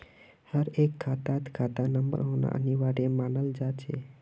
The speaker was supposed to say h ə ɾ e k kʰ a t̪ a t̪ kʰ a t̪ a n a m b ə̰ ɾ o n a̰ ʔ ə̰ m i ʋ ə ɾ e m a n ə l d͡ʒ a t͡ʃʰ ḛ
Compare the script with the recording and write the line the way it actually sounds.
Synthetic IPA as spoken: h ə ɾ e k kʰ a t̪ a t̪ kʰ a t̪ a n ə m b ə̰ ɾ o n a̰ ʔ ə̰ n i ʋ a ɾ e m a n ə l d͡ʒ a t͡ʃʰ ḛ